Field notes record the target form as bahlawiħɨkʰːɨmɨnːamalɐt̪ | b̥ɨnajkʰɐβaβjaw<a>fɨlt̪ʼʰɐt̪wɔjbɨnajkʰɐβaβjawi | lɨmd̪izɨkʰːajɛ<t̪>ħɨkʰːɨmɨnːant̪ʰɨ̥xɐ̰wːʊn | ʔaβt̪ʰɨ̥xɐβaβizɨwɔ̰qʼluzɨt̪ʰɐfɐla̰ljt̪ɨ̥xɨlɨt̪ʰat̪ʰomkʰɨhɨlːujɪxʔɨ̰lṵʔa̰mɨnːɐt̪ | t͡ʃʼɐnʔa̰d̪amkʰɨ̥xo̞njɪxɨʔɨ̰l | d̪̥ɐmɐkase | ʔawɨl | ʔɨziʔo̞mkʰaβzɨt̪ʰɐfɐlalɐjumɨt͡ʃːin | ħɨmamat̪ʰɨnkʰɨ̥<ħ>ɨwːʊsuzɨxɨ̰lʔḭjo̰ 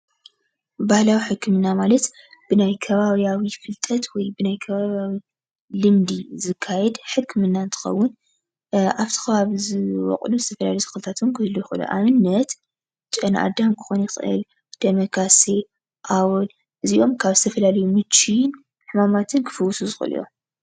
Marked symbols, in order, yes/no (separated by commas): no, no, no